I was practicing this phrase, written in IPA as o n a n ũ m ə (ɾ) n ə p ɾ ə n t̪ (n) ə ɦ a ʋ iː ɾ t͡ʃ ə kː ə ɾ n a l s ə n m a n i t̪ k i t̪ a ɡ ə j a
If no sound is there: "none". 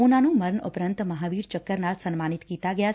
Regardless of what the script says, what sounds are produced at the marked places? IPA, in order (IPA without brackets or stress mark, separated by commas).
ɾ, m